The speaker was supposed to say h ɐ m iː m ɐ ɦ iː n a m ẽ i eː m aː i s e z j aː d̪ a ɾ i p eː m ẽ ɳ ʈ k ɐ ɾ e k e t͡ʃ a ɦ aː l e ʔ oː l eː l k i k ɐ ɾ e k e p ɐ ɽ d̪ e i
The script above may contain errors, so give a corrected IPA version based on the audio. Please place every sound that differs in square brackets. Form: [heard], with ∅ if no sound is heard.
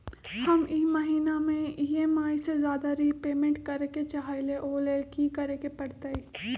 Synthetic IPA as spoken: h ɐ m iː m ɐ ɦ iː n a m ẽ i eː m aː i s e z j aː d̪ a ɾ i p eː m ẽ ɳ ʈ k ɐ ɾ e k e t͡ʃ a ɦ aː l e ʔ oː l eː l k i k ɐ ɾ e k e p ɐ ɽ [t̪] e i